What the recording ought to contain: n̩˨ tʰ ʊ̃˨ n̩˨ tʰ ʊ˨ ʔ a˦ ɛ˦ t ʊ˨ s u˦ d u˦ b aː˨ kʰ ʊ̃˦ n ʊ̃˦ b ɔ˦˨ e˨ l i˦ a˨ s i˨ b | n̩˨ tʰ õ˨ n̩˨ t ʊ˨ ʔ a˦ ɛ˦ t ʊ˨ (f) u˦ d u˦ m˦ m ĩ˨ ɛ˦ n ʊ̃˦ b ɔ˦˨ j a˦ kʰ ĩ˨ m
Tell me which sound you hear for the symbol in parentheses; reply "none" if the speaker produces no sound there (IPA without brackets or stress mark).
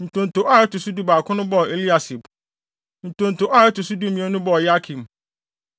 s